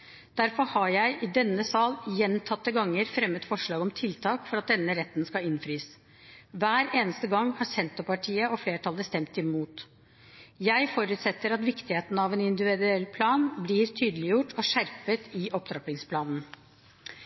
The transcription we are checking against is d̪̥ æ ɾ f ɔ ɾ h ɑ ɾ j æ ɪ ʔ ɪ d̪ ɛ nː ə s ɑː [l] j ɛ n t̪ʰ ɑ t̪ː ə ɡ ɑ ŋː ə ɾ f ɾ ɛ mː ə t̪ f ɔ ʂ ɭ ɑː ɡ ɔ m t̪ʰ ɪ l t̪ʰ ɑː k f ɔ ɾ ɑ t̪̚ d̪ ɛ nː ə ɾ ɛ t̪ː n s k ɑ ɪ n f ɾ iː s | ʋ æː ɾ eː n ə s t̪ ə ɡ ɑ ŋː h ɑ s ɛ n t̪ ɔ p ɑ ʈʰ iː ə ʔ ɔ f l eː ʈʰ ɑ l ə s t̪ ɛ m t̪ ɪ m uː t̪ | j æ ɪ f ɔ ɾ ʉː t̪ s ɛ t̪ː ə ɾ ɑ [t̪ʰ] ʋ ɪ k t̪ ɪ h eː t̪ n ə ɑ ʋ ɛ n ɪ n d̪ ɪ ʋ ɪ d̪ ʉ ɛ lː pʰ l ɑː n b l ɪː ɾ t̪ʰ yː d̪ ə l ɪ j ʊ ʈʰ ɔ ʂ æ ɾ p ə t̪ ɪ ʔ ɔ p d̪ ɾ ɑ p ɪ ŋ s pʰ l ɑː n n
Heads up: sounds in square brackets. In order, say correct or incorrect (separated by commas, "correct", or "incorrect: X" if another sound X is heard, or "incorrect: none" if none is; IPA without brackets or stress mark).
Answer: correct, incorrect: t̪